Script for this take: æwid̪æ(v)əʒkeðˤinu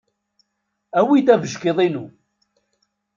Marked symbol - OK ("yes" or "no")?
yes